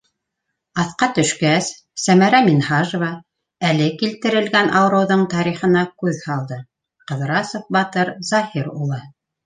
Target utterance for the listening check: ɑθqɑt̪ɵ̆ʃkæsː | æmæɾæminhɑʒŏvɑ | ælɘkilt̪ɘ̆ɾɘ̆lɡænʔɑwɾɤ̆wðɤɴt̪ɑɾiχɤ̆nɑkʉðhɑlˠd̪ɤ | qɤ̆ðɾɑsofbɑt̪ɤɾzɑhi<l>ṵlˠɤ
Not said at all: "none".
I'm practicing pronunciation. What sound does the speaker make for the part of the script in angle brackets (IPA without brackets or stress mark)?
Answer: ɾ